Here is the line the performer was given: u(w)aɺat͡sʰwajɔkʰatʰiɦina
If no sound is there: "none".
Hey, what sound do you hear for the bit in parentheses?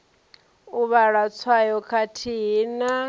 β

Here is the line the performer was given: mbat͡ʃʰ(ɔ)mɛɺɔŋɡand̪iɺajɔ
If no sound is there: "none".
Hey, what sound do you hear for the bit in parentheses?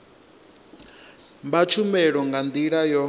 u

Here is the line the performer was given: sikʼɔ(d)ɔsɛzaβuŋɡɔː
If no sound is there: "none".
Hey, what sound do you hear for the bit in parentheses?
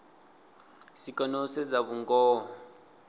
n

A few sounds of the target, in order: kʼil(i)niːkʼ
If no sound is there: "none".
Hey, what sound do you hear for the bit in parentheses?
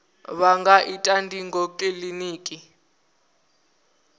i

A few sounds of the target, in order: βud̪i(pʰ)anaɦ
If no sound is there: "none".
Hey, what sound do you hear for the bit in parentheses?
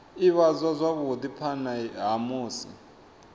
pʰ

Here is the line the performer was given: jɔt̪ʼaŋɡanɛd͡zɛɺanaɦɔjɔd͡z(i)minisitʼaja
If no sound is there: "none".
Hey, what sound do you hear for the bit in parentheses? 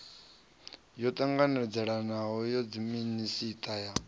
i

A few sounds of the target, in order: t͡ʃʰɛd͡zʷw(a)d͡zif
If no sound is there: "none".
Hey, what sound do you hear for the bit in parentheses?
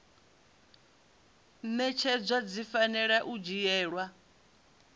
a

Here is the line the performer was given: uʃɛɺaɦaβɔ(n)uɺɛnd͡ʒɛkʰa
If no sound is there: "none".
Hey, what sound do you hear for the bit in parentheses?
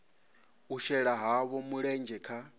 m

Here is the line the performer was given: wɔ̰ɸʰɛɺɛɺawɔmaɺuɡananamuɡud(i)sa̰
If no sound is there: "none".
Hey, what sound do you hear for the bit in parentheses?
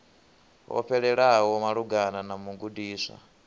iː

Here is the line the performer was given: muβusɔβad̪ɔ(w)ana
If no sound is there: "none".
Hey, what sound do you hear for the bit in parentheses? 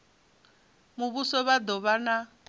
β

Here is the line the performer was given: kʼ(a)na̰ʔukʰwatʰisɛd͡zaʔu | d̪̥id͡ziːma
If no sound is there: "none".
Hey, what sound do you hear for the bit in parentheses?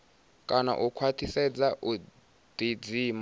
a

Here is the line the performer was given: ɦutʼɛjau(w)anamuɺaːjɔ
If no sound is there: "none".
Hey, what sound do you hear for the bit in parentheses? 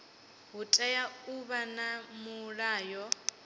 β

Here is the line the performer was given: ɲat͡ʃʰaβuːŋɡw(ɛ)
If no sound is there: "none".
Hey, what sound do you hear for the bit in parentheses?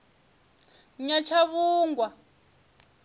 a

